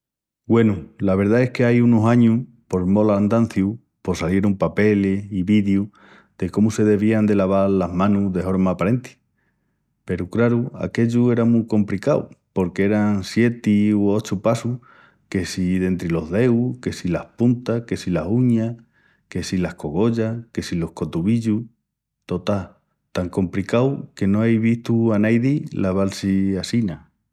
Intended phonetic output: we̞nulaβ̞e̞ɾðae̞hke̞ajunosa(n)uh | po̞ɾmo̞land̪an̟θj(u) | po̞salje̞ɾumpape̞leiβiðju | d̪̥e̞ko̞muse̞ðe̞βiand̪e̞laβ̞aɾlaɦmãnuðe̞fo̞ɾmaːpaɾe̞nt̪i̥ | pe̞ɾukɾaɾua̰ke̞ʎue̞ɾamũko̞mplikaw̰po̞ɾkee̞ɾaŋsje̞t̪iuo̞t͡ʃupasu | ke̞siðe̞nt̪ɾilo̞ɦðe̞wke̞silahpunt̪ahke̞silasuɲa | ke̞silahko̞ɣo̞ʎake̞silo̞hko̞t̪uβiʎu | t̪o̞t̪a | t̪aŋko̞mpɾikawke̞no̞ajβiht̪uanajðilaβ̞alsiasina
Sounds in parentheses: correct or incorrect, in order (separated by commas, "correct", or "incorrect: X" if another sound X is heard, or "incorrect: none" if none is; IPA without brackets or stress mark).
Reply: incorrect: ɲ, correct